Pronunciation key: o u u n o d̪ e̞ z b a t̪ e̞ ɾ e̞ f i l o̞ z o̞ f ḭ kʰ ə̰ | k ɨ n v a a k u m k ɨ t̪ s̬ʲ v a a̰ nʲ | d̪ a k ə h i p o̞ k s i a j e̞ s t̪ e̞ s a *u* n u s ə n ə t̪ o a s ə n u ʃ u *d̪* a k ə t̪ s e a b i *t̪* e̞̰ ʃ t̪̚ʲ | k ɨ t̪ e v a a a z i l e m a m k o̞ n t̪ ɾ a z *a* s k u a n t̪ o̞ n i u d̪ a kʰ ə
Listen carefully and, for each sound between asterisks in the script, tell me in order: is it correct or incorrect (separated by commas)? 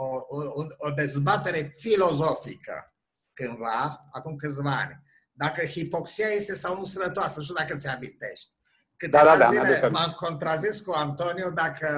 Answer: incorrect, correct, correct, incorrect